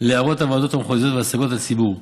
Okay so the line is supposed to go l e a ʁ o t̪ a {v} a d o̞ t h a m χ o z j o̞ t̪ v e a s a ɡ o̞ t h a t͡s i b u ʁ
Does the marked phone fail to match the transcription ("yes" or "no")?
no